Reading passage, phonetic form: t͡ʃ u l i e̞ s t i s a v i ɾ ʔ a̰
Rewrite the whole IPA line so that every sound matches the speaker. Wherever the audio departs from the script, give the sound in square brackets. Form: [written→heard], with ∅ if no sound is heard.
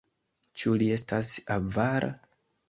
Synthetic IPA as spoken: t͡ʃ u l i e̞ s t [i→a] s a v [i→a] ɾ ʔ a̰